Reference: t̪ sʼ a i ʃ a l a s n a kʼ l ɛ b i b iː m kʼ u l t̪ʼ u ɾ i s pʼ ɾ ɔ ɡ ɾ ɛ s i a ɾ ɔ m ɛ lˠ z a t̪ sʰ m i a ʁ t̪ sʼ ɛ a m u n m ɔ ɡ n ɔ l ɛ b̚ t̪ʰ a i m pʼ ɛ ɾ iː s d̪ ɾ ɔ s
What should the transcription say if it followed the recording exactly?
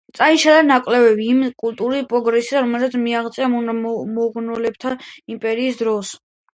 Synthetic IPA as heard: t̪ sʼ a i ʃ a l a n a kʼ l ɛ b ɛ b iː m kʼ u l t̪ʼ u ɾ i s pʼ ɾ ɔ ɡ ɾ ɛ s i a ɾ ɔ m ɛ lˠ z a t̪ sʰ m i a ʁ t̪ sʼ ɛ a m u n m ɔ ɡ n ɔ l ɛ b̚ t̪ʰ a i m pʼ ɛ ɾ iː s d̪ ɾ ɔ s